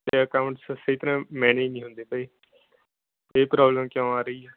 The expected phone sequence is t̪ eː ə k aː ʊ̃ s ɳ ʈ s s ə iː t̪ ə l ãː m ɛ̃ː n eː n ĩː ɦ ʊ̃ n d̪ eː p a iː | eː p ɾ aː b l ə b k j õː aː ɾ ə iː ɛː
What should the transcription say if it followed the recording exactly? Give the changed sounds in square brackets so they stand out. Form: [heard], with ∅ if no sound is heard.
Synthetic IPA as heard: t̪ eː ə k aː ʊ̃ [∅] ɳ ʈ s s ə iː t̪ ə [ɾ] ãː m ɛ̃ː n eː n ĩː ɦ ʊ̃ n d̪ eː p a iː | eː p ɾ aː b l ə [m] k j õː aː ɾ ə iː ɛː